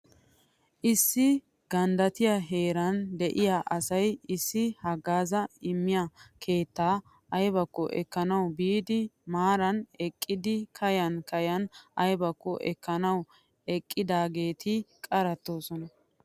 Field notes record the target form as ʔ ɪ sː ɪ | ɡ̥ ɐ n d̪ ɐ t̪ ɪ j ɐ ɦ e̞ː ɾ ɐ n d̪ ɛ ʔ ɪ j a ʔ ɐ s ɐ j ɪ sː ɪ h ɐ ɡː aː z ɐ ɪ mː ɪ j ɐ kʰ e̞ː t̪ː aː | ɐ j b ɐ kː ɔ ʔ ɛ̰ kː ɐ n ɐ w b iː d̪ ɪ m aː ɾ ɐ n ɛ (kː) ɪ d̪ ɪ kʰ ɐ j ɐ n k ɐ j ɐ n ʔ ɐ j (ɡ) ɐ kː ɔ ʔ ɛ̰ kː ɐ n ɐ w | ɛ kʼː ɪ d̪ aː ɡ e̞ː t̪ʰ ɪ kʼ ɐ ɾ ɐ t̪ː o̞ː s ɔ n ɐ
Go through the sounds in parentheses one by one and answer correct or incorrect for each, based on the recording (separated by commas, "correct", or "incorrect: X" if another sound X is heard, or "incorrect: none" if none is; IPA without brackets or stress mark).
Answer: incorrect: kʼː, incorrect: b